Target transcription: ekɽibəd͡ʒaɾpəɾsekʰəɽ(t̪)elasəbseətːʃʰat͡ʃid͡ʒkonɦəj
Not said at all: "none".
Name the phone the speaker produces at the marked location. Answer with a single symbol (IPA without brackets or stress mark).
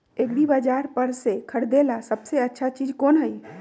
d̪